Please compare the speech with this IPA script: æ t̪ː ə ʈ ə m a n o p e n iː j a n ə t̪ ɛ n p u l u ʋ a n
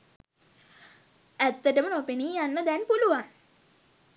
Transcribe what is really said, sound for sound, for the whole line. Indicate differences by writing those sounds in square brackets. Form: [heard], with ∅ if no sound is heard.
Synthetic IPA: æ t̪ː ə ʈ ə m [ə] n o p e n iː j a [nː] ə [d̪] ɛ n p u l u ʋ a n